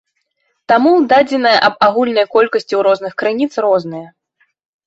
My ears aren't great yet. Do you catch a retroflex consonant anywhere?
no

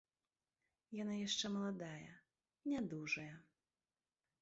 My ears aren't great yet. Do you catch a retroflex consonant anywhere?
yes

